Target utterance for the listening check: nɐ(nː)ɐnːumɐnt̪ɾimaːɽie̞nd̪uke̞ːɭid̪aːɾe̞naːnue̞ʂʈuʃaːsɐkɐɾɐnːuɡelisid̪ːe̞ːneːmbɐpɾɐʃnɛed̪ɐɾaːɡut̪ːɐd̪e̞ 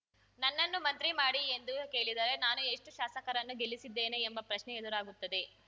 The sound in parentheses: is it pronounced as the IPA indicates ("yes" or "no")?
yes